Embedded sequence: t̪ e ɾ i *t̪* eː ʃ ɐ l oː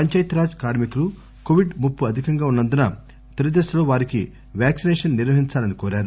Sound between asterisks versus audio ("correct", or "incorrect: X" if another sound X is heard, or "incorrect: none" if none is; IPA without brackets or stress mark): incorrect: d̪